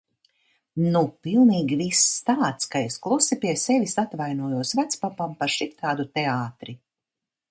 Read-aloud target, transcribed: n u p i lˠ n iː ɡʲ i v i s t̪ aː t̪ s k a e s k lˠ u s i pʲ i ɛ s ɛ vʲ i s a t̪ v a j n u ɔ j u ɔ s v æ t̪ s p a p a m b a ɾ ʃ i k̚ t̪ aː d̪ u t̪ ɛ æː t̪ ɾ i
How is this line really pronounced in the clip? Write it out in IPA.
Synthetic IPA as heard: n u p i lˠ n iː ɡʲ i v i s t̪ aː t̪ s k a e s k lˠ u s i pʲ i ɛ s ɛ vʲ i s a t̪ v a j n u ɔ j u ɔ s v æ t̪ s p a p a m p a ɾ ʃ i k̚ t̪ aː d̪ u t̪ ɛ aː t̪ ɾ i